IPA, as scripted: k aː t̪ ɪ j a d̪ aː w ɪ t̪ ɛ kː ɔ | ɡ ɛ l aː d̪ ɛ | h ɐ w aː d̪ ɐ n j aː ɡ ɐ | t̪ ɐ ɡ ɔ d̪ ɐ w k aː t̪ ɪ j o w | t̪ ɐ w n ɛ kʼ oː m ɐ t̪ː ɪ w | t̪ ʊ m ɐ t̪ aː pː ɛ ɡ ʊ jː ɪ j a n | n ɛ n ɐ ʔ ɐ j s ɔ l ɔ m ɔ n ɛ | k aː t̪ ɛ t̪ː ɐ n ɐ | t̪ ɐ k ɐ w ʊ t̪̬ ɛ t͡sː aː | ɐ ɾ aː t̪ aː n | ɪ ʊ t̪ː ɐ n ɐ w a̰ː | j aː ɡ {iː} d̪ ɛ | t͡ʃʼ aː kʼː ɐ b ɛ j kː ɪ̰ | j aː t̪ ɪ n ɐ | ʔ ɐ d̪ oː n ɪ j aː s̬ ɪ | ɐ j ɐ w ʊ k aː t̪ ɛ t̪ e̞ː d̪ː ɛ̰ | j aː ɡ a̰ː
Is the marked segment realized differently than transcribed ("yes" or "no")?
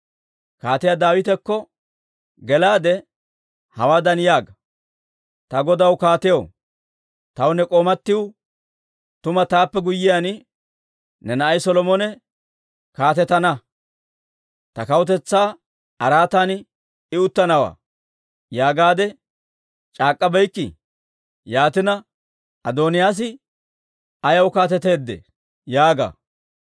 yes